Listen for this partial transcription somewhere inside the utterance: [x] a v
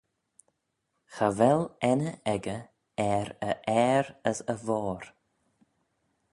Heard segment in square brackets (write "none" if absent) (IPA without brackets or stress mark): x